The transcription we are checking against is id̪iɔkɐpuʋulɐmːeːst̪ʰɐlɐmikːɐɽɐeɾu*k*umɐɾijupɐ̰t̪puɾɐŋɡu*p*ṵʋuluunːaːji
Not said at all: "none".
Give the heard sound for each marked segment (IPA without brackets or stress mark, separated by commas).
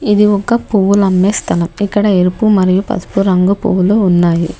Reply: p, p